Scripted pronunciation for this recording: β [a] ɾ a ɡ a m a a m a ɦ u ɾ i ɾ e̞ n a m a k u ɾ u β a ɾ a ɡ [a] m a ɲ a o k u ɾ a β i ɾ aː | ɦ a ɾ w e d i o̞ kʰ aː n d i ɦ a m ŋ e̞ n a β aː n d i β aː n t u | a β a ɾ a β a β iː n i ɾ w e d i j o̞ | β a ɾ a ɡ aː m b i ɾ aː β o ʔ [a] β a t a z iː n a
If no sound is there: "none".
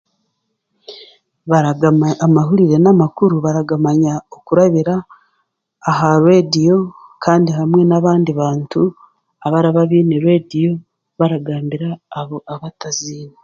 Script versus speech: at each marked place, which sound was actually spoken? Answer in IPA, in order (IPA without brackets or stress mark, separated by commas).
a, a, a